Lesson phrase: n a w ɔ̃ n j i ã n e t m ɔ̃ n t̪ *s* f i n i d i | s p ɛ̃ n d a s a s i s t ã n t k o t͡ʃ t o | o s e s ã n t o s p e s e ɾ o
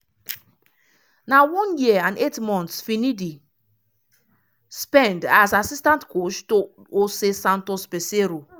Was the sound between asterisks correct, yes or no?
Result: yes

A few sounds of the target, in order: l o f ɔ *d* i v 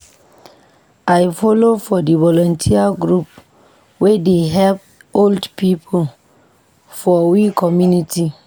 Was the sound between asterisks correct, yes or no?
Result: yes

